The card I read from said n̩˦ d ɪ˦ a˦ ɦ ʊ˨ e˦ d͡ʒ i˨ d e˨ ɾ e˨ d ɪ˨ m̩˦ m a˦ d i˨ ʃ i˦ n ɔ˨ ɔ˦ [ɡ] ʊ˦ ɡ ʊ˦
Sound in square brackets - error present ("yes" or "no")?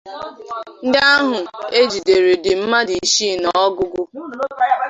no